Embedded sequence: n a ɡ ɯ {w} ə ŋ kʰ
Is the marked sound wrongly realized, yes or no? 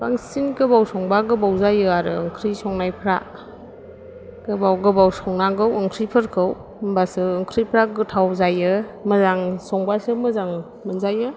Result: no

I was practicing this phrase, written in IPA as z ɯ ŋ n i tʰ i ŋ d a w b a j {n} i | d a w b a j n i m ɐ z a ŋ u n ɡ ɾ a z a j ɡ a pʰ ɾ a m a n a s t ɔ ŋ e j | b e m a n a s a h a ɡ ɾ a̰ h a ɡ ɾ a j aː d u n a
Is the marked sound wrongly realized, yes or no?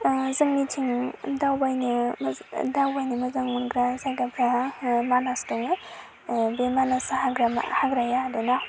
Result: no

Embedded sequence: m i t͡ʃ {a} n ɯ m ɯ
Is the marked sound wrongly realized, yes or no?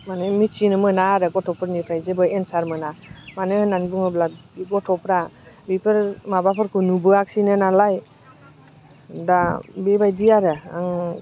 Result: yes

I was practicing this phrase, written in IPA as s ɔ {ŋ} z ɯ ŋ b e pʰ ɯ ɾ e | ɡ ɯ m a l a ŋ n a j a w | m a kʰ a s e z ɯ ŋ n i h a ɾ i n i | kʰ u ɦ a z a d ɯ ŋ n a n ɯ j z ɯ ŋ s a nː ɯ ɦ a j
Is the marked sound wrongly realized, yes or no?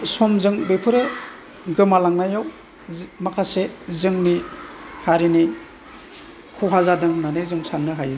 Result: yes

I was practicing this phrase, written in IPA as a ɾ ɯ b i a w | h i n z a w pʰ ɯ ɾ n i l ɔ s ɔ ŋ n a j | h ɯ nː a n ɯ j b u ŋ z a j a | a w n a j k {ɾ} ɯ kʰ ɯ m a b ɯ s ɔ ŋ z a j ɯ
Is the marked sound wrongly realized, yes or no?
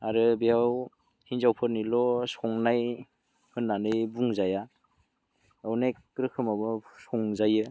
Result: no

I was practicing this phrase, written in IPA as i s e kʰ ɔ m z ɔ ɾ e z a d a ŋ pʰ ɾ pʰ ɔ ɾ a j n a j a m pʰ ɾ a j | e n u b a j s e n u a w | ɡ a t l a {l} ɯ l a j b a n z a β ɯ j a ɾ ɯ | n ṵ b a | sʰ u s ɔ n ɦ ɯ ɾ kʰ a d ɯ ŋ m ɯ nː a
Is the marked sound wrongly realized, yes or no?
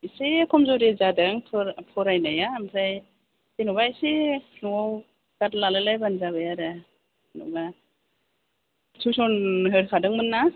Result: no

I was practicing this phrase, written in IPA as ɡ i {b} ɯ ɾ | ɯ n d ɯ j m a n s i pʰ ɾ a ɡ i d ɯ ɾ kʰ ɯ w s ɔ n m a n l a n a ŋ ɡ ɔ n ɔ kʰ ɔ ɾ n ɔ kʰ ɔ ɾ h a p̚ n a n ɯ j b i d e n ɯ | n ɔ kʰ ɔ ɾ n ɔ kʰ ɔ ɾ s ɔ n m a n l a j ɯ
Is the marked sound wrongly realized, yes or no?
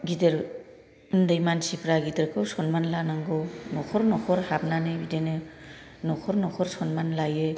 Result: yes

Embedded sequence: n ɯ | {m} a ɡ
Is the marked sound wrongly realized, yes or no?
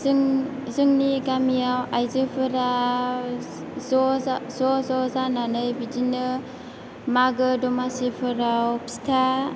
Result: no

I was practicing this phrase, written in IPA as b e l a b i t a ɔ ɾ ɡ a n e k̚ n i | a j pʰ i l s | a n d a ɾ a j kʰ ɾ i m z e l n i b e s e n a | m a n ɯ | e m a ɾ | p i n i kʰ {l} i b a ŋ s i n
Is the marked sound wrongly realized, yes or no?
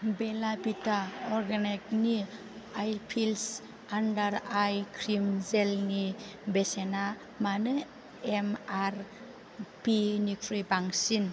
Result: yes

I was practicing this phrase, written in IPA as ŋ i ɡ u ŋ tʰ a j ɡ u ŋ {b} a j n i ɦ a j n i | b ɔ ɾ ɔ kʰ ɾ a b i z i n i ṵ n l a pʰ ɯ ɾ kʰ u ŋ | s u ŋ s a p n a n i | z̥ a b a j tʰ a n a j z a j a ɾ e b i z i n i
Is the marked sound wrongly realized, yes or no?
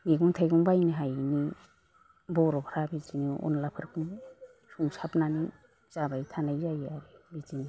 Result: no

